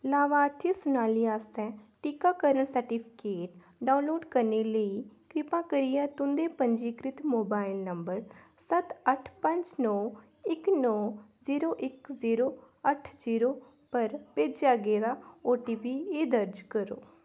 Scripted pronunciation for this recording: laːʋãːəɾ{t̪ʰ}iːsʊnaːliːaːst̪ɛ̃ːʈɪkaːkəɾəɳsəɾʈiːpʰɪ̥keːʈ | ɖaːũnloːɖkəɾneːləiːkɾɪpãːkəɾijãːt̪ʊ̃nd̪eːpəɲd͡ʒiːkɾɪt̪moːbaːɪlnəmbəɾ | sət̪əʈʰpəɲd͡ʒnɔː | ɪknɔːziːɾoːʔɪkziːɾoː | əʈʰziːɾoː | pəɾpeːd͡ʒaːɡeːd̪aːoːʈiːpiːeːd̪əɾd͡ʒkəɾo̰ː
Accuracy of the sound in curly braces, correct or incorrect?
correct